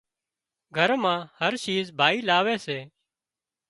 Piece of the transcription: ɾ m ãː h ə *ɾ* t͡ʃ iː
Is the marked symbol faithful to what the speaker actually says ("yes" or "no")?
yes